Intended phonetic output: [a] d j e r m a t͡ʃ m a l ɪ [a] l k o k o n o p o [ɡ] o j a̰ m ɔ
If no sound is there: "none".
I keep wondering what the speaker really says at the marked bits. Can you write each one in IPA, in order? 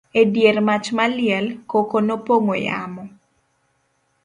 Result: e, ɛ, ŋ

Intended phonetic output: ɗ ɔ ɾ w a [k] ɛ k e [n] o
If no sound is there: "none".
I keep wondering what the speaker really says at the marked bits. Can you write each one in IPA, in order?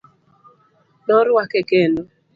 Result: k, n

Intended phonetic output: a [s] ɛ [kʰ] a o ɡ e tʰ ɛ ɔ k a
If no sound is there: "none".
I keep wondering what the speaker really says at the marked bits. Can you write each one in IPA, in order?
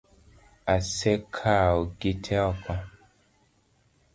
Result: s, kʰ

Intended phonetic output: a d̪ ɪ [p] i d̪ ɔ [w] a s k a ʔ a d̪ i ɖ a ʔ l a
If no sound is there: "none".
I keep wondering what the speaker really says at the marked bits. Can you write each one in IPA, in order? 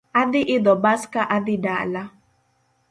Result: ʔ, b

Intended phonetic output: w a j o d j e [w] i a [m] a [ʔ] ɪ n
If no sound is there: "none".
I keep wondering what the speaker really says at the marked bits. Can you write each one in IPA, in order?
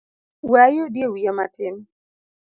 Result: w, m, t

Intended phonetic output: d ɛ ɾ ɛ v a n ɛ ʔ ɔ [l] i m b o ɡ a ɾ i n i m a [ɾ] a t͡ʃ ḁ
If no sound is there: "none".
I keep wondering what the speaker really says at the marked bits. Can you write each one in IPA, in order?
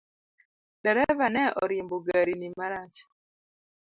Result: ɾ, ɾ

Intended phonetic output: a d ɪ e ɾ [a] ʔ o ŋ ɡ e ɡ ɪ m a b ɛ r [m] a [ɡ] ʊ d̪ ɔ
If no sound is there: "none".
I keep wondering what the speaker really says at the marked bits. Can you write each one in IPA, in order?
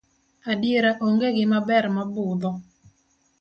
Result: a, m, b

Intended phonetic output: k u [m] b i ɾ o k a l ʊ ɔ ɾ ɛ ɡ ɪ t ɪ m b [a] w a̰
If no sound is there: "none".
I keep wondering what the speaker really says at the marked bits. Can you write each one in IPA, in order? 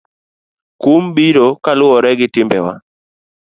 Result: m, ɛ

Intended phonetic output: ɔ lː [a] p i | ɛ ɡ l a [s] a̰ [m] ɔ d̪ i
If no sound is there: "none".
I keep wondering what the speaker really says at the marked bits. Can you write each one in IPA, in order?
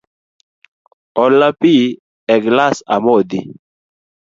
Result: a, s, m

